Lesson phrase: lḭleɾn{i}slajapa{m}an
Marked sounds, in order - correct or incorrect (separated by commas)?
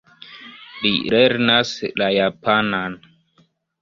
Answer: incorrect, incorrect